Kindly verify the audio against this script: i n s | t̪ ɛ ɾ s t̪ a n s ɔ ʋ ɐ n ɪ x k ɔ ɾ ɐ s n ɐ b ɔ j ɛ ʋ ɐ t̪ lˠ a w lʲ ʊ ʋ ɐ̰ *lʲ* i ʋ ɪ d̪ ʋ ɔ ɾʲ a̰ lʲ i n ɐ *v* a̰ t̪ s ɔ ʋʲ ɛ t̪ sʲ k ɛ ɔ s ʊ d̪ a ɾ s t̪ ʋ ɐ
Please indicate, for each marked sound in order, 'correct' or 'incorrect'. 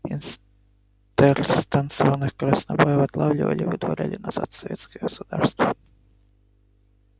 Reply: correct, incorrect: z

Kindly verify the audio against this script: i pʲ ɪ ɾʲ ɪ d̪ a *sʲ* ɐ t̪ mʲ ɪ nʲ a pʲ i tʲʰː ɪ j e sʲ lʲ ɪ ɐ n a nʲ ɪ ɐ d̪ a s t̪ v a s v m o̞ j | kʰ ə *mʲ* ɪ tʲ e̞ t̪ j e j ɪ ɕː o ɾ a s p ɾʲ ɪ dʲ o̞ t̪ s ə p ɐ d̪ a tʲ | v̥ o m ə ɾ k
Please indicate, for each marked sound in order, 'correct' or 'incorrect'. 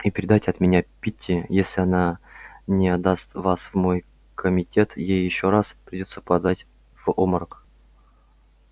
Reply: incorrect: tʲ, correct

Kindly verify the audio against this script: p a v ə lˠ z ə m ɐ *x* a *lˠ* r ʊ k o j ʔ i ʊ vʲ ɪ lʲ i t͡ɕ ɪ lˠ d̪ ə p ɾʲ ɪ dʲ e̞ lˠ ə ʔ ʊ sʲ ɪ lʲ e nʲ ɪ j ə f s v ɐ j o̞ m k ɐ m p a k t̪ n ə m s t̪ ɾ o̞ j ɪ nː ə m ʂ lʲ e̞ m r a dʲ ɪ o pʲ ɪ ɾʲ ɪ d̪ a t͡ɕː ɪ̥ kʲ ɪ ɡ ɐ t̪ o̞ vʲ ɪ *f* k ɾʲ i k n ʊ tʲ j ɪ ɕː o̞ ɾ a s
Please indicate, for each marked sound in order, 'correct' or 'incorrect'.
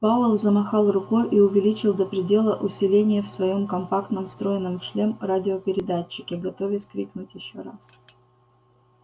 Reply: correct, correct, incorrect: s

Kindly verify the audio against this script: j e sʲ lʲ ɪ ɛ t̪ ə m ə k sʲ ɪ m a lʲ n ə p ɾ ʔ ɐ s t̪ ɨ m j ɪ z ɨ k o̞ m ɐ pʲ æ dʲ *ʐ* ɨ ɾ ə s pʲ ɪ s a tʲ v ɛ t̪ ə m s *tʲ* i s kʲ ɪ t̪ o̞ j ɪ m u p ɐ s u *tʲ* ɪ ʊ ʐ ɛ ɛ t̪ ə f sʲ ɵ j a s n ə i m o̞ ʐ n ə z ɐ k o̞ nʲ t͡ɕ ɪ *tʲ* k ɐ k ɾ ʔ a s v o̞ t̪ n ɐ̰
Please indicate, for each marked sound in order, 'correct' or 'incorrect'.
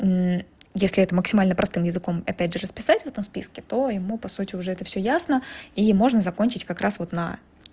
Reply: correct, incorrect: pʲ, correct, correct

